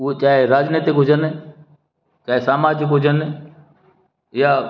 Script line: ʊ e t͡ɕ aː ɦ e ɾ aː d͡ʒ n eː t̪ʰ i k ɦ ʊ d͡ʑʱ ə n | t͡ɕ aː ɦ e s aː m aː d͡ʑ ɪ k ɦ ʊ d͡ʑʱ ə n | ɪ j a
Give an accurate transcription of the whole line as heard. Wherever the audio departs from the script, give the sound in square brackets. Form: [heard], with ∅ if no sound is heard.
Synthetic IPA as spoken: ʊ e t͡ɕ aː ɦ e ɾ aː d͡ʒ n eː [t̪] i k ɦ ʊ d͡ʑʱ ə n | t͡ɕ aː ɦ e s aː m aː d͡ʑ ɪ k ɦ ʊ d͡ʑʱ ə n | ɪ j a